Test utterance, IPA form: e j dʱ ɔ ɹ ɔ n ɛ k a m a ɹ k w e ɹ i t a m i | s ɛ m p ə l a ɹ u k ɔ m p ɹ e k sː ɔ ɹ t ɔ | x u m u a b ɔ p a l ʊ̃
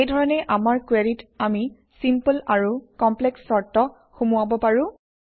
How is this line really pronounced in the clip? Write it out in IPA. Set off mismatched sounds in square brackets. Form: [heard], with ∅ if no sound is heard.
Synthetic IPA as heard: e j dʱ ɔ ɹ ɔ n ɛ [ʔ] a m a ɹ k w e ɹ i t a m i | s [i] m p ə l a ɹ u k ɔ m p [l] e k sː ɔ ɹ t ɔ | x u m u a b ɔ p a [ɹ] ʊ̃